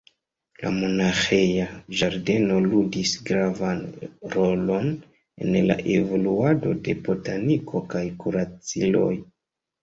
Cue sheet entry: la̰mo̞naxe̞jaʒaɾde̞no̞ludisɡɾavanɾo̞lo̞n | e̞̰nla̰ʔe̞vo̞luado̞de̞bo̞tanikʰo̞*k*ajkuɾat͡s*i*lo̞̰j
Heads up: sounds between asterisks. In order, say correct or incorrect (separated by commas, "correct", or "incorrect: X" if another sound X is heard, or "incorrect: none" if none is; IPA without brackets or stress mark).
correct, correct